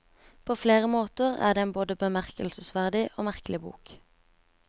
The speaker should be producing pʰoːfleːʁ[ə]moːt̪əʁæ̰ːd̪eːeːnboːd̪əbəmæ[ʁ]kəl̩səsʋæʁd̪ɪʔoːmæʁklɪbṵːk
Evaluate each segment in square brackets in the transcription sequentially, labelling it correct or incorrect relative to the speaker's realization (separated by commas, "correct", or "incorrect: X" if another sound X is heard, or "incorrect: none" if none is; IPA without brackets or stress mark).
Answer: correct, correct